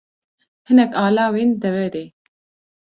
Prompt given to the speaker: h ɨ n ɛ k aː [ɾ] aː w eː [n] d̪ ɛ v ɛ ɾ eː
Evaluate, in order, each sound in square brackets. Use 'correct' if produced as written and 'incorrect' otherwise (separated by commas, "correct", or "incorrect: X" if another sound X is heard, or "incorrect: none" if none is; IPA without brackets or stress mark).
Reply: incorrect: l, correct